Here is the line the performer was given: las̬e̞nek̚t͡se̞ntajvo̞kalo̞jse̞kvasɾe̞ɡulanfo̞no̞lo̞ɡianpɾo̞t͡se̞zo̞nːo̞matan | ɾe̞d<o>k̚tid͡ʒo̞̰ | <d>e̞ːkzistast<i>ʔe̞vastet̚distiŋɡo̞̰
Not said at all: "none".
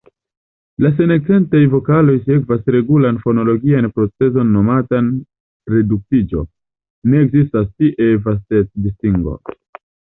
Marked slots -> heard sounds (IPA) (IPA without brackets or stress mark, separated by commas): u, n, i